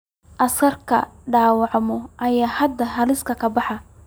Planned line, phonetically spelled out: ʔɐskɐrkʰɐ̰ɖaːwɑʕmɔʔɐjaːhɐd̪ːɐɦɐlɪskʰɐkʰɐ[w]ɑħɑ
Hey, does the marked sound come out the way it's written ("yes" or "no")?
no